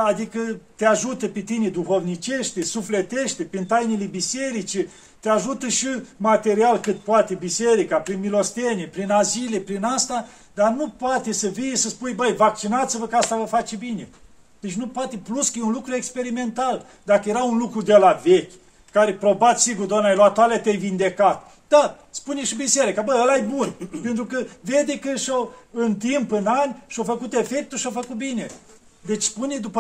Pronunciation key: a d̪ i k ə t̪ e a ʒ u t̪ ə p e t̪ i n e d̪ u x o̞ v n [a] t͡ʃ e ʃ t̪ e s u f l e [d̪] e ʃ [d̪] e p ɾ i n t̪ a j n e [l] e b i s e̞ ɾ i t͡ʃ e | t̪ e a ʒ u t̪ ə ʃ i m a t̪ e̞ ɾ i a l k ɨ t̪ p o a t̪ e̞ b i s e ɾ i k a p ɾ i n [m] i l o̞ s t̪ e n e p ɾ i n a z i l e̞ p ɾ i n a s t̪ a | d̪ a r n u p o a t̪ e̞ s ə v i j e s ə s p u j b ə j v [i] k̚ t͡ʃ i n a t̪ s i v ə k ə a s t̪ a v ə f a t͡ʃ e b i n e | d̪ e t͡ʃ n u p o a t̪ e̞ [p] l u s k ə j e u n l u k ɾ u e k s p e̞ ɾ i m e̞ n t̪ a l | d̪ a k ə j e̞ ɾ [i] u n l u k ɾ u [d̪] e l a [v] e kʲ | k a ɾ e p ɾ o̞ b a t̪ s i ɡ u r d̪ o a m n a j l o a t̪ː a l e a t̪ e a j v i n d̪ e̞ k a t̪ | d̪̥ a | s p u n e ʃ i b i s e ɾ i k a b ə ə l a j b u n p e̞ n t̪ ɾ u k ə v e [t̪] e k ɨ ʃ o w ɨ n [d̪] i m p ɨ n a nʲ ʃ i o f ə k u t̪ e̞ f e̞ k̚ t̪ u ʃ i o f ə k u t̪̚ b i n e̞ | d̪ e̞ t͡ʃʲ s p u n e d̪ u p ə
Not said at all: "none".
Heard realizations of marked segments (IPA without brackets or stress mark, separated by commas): i, t̪, t̪, l, m, a, p, a, d̪, v, d̪, t̪